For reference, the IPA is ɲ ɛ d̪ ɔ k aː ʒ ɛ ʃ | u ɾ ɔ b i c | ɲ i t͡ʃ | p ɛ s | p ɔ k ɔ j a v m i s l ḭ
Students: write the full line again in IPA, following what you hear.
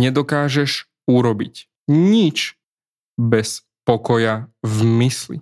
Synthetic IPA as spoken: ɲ ɛ d̪ ɔ k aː ʒ ɛ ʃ | u ɾ ɔ b i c | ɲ i t͡ʃ | b ɛ s | p ɔ k ɔ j a v m i s l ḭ